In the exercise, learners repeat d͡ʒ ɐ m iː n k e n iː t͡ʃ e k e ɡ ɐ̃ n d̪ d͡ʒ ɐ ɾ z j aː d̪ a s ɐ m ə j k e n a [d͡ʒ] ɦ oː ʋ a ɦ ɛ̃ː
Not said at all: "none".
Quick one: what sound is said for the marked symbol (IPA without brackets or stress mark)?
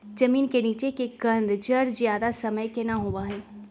none